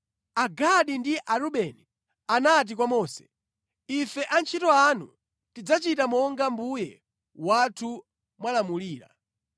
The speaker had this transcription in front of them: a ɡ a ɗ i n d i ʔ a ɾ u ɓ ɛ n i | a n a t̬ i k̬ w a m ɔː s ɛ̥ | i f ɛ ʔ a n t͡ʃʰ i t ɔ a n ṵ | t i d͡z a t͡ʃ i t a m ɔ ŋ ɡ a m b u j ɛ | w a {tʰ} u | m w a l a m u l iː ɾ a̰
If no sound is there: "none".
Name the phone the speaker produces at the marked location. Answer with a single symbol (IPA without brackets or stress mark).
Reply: tʰ